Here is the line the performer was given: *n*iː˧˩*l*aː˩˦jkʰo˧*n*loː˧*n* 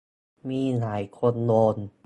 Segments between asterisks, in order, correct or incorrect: incorrect, correct, correct, correct

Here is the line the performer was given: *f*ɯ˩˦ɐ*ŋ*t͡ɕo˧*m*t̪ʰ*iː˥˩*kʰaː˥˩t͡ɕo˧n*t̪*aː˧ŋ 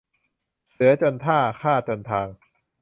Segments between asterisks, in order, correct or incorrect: incorrect, incorrect, incorrect, incorrect, incorrect

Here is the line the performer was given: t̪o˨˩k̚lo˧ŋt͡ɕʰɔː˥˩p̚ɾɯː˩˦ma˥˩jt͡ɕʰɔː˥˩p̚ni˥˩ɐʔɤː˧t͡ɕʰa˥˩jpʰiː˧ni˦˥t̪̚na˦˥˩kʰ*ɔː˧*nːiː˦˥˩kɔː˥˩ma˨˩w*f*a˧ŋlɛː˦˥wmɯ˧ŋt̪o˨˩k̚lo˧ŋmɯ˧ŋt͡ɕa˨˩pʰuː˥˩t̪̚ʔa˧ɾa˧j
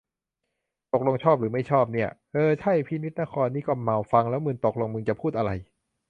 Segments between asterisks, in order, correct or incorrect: correct, correct

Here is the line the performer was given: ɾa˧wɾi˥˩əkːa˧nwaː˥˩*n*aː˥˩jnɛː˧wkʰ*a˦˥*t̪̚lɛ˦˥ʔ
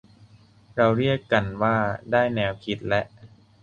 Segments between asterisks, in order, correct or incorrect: incorrect, incorrect

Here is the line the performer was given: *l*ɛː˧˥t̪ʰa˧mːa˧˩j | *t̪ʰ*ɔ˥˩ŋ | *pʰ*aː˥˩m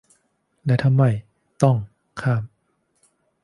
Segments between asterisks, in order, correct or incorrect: correct, incorrect, incorrect

